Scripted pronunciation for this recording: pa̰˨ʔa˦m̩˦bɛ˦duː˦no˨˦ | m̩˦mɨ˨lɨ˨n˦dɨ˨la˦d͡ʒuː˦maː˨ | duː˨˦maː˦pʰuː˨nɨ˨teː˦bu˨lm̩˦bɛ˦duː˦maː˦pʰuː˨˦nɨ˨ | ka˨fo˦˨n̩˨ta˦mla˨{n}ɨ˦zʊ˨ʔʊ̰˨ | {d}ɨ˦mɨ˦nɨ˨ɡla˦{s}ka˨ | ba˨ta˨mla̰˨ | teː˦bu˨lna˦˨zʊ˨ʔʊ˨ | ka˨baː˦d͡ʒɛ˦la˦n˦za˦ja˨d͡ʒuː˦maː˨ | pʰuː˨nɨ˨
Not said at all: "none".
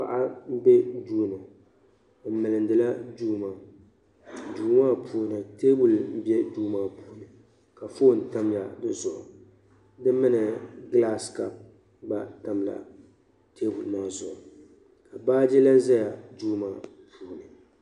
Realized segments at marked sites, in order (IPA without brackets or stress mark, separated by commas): d, d, s